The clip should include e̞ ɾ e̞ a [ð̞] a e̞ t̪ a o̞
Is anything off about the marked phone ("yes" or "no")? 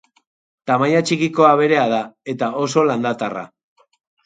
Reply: no